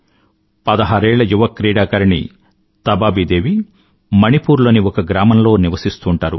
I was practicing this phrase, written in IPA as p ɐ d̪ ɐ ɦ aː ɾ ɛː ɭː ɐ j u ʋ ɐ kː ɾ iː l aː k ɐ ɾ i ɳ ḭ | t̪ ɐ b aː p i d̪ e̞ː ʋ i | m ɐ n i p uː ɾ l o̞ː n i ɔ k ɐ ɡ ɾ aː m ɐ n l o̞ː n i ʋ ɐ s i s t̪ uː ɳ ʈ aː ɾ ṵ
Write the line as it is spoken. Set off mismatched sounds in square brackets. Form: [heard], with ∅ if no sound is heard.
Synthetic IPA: p ɐ d̪ ɐ ɦ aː ɾ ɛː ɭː ɐ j u ʋ ɐ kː ɾ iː [ɽ] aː k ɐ ɾ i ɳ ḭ | t̪ ɐ b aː [b] i d̪ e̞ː ʋ i | m ɐ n i p uː ɾ l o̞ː n i ɔ k ɐ ɡ ɾ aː m ɐ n l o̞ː n i ʋ ɐ s i s t̪ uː ɳ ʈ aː ɾ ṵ